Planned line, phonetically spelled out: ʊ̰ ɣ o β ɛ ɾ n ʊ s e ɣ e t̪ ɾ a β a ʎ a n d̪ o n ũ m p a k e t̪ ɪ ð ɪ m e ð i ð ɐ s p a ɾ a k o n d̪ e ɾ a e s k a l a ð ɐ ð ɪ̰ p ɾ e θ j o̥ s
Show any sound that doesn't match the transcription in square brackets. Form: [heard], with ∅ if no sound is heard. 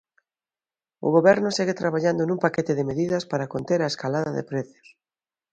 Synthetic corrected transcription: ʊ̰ ɣ o β ɛ ɾ n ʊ s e ɣ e t̪ ɾ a β a ʎ a n d̪ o n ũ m p a k e t̪ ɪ ð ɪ m e ð i ð ɐ s p a ɾ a k o n [t̪] e ɾ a e s k a l a ð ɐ ð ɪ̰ p ɾ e θ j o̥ s